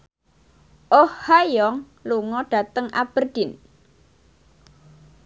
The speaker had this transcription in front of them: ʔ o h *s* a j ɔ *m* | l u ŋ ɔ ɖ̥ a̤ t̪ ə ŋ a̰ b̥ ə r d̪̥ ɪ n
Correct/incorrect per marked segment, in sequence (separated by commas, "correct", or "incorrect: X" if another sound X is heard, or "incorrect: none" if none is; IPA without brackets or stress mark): incorrect: h, incorrect: ŋ